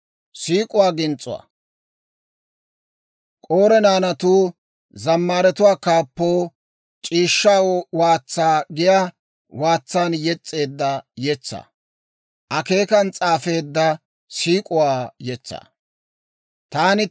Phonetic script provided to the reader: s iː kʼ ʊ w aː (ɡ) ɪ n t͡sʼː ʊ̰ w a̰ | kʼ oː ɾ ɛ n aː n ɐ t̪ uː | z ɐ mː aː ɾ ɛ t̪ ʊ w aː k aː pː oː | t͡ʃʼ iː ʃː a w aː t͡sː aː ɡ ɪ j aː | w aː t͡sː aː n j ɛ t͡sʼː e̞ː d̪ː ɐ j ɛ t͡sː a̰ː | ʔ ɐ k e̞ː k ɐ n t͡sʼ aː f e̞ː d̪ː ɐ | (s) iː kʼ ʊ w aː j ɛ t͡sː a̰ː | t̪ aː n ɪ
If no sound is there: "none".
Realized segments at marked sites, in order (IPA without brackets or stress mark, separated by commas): ɡ, s